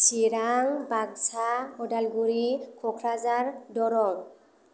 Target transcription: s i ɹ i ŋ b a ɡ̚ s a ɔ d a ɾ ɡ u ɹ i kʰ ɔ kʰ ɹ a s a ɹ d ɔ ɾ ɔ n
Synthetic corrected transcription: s i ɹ a ŋ b a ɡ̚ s a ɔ d a l ɡ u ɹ i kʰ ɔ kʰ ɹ a z a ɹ d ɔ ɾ ɔ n